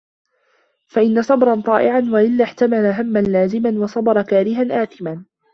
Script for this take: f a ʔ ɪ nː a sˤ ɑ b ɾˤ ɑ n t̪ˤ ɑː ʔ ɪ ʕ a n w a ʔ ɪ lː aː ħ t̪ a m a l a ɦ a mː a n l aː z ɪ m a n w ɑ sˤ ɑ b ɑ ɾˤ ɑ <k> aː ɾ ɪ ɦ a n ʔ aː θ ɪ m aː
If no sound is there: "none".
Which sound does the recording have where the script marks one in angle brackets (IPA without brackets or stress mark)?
k